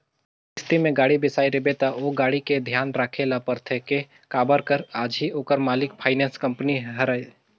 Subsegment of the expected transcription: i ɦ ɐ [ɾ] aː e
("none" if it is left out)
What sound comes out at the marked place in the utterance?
ɾ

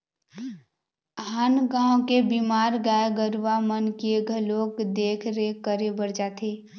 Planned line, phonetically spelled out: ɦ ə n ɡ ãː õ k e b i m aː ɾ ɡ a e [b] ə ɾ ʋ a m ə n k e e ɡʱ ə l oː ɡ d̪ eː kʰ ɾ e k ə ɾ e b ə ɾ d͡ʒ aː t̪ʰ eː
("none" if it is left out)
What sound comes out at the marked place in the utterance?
ɡ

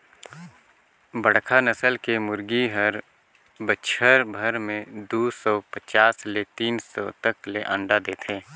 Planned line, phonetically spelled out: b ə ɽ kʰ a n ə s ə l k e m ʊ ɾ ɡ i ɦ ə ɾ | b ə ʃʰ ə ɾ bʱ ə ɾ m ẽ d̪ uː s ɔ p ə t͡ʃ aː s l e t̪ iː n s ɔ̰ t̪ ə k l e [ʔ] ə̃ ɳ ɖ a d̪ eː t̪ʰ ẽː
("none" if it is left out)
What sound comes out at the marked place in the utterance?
ʔ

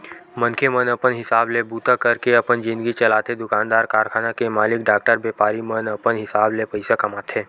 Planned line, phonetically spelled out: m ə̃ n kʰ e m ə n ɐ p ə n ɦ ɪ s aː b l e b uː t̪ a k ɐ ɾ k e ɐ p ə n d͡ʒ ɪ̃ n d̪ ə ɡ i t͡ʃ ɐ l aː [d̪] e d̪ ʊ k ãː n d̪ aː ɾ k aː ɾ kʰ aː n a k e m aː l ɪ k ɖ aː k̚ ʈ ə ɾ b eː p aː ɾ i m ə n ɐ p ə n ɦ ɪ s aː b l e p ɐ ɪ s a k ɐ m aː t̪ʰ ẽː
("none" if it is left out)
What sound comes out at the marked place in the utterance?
t̪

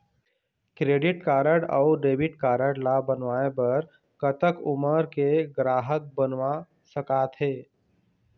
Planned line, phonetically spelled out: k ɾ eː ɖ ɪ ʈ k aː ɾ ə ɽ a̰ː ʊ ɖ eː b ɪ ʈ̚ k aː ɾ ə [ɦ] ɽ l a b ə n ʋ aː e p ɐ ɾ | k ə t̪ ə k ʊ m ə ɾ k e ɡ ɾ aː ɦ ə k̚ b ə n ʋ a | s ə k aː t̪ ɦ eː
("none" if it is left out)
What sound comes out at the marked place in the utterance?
none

